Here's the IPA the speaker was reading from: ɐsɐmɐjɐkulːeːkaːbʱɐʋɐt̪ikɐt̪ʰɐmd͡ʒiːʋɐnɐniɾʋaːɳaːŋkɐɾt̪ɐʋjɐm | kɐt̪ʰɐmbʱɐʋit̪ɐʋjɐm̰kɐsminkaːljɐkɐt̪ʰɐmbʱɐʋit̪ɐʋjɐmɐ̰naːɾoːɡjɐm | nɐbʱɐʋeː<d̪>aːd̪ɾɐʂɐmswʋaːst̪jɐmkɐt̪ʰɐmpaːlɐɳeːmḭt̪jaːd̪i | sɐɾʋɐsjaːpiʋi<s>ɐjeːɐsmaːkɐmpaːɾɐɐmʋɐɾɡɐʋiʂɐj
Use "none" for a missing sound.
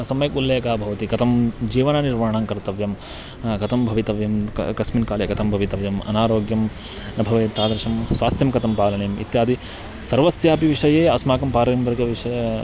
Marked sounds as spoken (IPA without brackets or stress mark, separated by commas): t̪, ʂ